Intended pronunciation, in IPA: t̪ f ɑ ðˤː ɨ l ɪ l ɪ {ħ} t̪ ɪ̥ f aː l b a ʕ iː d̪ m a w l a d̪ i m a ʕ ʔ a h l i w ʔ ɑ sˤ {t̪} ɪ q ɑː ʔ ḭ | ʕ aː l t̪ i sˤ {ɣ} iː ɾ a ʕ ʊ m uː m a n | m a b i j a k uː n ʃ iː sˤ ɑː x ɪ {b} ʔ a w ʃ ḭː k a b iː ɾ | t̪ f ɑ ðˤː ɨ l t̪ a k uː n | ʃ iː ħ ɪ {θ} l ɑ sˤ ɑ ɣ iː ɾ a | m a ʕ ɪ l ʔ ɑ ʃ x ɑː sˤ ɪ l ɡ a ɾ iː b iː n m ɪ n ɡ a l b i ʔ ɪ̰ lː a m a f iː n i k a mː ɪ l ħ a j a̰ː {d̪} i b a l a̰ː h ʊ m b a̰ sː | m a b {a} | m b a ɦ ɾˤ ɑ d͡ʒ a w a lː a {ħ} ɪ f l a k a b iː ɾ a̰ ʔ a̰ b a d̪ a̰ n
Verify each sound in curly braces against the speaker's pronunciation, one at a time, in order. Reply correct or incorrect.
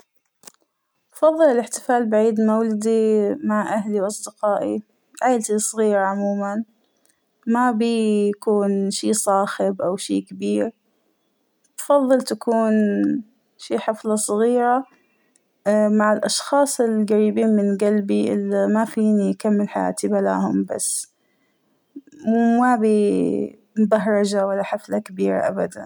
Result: correct, incorrect: d̪, correct, correct, incorrect: f, incorrect: t̪, incorrect: i, correct

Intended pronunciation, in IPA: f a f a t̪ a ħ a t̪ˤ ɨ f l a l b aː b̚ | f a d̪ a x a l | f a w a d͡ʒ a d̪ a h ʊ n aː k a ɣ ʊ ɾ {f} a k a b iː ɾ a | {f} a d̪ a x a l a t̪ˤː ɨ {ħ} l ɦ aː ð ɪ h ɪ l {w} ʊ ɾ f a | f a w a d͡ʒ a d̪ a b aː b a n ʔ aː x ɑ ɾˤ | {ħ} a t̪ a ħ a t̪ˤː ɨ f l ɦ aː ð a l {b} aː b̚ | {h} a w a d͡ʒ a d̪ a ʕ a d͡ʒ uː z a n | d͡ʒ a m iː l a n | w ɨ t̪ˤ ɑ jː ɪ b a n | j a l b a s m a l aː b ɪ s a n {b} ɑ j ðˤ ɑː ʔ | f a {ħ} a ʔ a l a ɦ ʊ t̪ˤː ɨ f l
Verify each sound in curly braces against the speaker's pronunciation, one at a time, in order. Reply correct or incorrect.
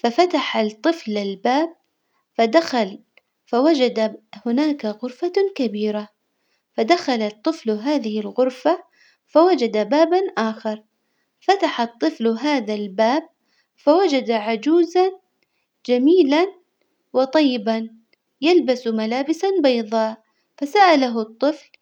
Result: correct, correct, incorrect: f, incorrect: ɣ, incorrect: f, correct, incorrect: f, correct, incorrect: s

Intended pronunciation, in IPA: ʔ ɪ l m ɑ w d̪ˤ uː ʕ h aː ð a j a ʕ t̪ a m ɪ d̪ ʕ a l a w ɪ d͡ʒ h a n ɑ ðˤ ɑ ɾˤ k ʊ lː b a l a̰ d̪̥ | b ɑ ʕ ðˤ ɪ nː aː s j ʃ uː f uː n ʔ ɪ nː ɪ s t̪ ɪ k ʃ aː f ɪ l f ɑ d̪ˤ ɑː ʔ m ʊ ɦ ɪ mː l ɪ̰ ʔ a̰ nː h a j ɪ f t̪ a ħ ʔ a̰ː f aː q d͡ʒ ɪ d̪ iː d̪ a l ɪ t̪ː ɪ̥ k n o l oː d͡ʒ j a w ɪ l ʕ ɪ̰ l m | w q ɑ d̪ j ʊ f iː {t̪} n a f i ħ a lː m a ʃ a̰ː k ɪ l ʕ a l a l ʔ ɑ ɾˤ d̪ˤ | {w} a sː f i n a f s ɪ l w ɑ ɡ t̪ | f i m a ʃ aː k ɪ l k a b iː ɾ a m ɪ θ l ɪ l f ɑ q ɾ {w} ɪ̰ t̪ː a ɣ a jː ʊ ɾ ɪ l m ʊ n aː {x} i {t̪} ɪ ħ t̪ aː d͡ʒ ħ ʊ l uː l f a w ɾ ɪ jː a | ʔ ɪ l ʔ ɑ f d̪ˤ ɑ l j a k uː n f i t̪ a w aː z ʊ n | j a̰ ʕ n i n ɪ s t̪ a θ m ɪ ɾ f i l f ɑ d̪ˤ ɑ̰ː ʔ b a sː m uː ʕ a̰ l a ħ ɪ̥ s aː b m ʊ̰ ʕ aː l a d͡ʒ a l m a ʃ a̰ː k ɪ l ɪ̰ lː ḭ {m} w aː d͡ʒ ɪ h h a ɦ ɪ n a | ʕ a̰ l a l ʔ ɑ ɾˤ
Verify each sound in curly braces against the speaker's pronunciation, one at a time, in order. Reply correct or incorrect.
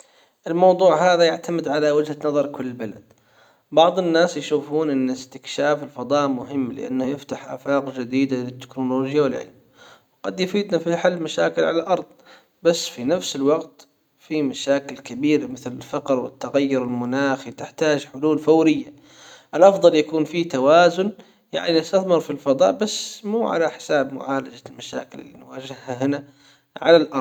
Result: incorrect: d̪, incorrect: b, correct, correct, correct, incorrect: n

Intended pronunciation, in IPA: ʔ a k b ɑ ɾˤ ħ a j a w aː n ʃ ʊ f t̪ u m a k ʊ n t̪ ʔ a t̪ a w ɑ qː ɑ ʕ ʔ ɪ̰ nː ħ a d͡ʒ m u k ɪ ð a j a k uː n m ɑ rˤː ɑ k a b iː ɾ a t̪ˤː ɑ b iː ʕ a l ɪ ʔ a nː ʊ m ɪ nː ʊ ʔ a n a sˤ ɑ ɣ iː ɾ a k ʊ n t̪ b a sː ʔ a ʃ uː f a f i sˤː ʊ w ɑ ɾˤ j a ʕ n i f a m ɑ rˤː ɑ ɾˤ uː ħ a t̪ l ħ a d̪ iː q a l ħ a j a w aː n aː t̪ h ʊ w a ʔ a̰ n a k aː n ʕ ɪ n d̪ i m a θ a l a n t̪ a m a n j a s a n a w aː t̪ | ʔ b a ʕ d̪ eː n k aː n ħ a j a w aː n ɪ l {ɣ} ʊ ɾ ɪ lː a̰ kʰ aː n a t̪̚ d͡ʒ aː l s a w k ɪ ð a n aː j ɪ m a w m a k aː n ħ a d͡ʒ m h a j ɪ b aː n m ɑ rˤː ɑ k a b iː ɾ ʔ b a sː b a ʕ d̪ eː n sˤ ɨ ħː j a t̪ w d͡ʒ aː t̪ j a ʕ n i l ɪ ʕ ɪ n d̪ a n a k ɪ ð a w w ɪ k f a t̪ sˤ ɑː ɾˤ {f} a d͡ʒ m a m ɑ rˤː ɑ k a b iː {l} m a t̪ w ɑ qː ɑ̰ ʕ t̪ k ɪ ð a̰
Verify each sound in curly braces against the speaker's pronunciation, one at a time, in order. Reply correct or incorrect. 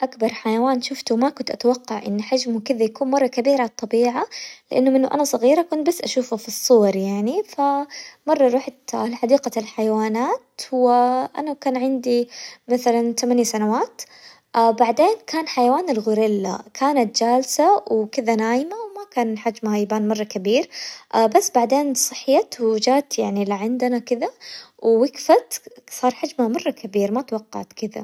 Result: correct, incorrect: ħ, incorrect: ɾ

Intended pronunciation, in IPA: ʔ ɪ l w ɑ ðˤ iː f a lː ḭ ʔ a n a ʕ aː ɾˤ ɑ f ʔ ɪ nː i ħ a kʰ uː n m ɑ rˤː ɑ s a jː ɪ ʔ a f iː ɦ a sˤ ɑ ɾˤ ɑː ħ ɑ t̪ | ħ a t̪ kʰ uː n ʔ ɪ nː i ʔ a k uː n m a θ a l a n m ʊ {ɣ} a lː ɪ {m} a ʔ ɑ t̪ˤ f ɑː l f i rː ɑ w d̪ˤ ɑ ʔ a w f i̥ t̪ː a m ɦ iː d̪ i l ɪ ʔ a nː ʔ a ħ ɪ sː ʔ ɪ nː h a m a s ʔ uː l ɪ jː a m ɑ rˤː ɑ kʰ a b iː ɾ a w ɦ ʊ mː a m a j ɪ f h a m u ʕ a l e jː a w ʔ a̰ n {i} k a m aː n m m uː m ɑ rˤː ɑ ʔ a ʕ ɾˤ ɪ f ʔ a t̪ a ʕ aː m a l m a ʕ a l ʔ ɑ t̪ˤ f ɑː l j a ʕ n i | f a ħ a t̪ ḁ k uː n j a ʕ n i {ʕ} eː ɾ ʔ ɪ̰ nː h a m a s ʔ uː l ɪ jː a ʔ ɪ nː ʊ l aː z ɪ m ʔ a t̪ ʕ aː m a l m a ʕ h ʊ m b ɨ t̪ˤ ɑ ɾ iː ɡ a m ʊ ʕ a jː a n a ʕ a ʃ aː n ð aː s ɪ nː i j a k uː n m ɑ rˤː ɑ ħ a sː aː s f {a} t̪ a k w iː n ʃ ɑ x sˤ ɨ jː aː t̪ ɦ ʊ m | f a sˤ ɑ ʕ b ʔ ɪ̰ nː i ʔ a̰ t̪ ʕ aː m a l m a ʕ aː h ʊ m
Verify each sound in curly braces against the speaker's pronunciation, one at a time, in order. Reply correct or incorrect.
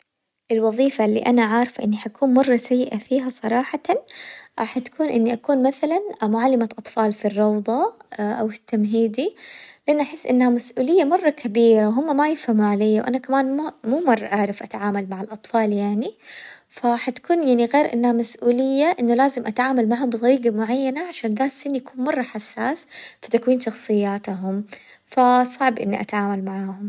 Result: incorrect: ʕ, correct, incorrect: a, incorrect: ɣ, incorrect: i

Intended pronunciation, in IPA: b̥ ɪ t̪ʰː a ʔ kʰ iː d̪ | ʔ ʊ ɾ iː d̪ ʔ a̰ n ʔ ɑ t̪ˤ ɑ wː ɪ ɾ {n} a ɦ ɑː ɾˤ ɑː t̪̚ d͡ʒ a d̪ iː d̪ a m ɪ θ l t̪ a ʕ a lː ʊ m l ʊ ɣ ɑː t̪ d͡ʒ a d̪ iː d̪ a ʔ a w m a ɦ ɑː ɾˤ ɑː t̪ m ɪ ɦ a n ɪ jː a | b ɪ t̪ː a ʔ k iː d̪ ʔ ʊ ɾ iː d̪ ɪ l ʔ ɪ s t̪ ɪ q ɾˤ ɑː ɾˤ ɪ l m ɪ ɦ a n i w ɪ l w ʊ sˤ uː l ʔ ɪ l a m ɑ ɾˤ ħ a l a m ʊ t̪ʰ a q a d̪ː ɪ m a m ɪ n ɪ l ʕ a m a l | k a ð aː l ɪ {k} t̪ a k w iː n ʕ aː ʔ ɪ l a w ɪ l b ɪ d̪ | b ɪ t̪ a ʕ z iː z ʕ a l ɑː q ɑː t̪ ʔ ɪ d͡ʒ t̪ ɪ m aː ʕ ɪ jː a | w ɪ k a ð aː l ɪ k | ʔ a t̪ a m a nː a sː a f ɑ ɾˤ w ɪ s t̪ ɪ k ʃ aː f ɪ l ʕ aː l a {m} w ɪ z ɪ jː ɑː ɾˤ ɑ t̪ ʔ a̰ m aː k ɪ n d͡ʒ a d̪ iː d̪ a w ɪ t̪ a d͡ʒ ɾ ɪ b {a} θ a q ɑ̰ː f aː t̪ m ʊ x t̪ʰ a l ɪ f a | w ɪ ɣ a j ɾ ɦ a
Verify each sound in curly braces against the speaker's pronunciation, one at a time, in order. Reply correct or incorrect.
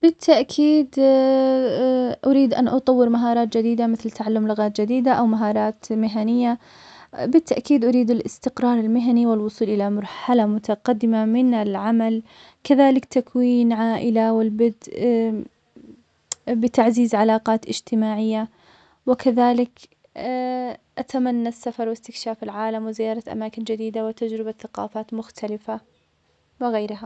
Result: incorrect: m, correct, correct, correct

